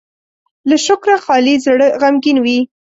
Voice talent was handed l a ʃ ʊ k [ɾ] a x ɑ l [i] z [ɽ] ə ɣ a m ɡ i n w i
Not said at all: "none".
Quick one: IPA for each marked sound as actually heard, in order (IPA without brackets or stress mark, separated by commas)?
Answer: ɾ, i, ɽ